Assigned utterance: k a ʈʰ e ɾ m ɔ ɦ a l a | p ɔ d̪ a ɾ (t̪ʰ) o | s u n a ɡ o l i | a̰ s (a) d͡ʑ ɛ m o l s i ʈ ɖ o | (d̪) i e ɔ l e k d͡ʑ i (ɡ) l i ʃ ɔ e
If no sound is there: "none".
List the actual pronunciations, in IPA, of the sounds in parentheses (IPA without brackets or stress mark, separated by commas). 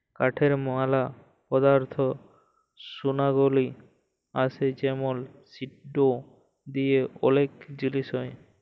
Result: t̪ʰ, e, d̪, none